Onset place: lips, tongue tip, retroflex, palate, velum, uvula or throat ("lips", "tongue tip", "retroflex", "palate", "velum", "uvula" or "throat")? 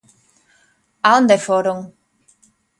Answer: tongue tip